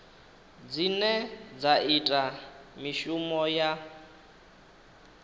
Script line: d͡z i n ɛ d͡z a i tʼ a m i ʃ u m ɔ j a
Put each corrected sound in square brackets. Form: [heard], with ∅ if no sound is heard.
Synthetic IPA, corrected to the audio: d͡z i n ɛ d͡z a i tʼ a m i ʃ u m ɔ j a